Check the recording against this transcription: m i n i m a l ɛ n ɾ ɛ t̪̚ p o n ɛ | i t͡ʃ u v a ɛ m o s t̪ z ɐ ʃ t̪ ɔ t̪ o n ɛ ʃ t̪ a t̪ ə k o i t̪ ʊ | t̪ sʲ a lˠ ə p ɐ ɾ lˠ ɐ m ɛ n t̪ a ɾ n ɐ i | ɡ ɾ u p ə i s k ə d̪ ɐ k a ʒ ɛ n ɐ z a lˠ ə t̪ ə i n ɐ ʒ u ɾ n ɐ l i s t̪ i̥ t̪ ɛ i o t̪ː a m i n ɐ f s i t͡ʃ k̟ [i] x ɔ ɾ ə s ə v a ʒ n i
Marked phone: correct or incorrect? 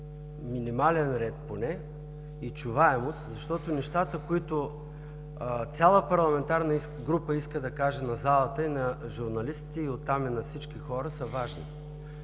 correct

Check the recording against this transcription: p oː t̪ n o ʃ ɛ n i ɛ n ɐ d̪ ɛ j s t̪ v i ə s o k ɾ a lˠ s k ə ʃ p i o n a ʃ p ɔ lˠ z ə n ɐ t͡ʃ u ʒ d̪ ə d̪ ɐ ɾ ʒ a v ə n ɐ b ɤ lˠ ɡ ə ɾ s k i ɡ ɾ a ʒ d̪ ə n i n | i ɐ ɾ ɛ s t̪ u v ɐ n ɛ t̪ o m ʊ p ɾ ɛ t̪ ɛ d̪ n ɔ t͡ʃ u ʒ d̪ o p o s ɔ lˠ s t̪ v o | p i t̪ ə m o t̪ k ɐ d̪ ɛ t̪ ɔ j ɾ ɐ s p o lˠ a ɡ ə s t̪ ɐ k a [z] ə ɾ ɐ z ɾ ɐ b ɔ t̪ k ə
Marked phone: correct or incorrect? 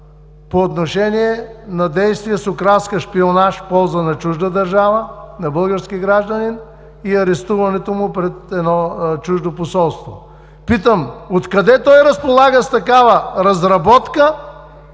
incorrect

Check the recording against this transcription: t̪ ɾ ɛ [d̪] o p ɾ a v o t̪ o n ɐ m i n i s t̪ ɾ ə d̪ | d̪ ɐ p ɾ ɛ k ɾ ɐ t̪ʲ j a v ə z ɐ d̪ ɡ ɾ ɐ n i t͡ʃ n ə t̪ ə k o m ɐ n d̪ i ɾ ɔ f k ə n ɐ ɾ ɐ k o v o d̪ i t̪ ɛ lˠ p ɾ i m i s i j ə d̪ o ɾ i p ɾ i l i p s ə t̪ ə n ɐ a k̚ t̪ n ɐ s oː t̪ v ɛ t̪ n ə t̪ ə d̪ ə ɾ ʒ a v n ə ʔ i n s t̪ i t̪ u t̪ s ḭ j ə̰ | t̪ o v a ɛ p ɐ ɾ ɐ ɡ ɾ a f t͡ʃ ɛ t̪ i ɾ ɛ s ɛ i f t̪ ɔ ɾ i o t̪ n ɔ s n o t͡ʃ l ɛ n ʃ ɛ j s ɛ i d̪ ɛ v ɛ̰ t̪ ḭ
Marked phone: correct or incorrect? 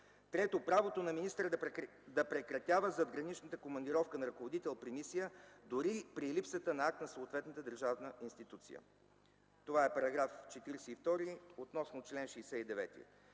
incorrect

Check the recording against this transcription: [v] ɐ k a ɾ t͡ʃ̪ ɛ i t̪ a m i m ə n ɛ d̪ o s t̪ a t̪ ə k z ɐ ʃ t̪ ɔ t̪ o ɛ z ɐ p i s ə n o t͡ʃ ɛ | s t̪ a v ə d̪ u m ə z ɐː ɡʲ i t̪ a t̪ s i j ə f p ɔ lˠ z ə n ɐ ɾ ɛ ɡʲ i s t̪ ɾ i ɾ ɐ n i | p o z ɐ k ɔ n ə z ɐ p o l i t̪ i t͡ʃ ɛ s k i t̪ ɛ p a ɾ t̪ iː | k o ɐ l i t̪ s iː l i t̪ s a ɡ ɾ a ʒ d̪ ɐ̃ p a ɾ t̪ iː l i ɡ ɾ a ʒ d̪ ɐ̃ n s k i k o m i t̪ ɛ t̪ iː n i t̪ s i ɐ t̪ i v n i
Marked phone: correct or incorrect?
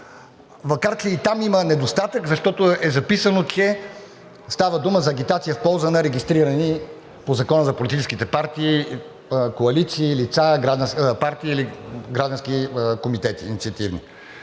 correct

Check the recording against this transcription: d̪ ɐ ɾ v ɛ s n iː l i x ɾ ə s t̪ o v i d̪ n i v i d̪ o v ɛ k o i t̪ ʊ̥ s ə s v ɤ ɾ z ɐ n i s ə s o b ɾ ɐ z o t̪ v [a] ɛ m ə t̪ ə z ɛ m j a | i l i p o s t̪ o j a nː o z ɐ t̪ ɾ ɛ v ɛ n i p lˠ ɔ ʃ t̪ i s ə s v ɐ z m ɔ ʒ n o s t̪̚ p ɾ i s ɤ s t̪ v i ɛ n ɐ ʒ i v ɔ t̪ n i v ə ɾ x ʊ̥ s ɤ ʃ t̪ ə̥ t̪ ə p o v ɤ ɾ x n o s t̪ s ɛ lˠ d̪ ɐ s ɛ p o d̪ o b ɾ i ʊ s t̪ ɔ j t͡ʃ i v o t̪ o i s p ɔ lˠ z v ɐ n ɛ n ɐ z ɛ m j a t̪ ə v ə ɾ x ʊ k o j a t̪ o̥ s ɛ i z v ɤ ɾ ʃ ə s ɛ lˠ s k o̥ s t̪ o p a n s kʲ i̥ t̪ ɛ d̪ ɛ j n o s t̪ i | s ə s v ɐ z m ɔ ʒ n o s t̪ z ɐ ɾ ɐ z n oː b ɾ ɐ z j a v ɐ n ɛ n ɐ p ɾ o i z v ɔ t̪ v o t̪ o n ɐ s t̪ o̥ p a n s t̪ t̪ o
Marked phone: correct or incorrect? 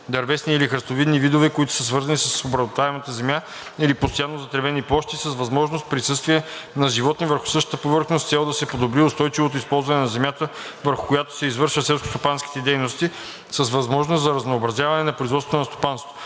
correct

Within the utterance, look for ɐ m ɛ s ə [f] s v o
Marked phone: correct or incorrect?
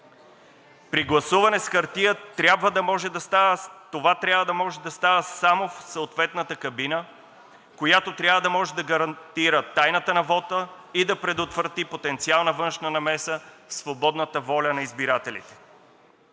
correct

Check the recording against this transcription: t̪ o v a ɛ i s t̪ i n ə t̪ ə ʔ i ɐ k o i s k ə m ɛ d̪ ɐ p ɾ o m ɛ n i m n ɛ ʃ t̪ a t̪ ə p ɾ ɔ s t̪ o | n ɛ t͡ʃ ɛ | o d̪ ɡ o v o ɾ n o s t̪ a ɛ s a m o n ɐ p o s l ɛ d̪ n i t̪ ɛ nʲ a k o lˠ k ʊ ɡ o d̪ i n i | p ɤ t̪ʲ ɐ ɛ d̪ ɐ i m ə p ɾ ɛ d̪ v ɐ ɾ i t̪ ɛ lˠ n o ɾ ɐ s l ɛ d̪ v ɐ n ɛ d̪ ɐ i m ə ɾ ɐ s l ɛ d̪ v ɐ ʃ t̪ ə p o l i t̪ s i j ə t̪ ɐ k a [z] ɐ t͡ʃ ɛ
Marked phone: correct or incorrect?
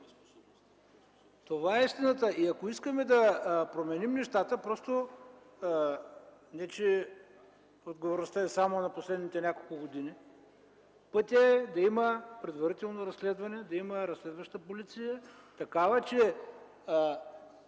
incorrect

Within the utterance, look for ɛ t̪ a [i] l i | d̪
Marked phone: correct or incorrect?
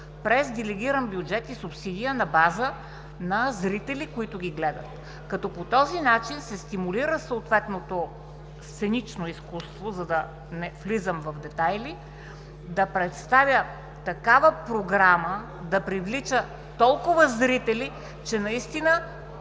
incorrect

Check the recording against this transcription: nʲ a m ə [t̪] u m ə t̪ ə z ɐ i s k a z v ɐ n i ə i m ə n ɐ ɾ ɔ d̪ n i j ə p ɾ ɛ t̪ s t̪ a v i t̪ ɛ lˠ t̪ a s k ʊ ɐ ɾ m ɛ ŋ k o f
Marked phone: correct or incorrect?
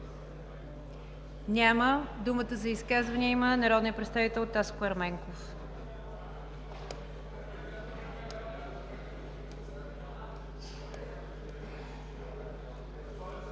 incorrect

